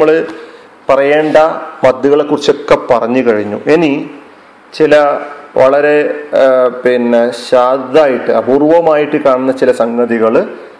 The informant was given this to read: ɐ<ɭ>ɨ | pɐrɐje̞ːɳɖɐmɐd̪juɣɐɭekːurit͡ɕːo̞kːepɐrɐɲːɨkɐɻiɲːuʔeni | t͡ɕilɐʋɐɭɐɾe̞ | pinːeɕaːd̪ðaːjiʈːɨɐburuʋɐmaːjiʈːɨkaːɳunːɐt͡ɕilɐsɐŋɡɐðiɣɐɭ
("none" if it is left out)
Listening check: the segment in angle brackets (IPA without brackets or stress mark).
ɭ